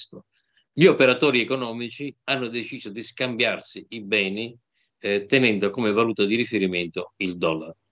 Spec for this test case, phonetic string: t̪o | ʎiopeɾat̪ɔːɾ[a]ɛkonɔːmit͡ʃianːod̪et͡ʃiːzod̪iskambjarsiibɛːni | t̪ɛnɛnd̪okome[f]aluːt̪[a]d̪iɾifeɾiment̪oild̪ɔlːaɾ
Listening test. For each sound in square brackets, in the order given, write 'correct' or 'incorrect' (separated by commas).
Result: incorrect, incorrect, correct